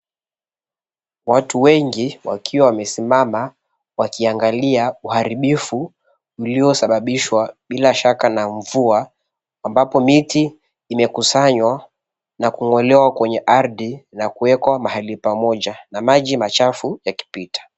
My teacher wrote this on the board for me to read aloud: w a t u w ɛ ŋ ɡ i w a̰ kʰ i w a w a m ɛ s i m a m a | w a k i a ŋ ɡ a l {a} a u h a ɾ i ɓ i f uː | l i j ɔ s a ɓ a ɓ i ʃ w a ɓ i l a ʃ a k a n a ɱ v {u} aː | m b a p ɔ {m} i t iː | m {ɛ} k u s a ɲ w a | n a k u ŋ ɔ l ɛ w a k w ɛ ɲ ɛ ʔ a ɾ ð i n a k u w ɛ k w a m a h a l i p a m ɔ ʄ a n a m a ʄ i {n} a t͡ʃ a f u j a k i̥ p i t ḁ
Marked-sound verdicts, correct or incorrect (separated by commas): incorrect, correct, correct, correct, incorrect